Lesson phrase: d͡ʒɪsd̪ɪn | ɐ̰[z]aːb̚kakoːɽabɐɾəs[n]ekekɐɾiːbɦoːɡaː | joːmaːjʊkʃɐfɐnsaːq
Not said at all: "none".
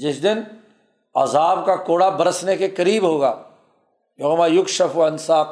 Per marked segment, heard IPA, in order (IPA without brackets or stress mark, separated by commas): z, n